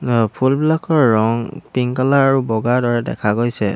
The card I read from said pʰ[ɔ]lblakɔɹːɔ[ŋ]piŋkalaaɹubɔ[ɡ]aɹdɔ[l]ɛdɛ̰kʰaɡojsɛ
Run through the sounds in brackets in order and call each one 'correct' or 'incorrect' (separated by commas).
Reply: incorrect, correct, correct, incorrect